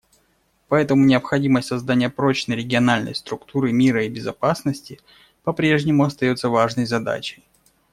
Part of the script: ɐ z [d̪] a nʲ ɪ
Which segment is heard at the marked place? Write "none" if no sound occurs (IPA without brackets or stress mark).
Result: d̪